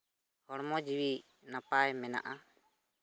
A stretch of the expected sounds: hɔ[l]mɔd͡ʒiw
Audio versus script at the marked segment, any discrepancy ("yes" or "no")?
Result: yes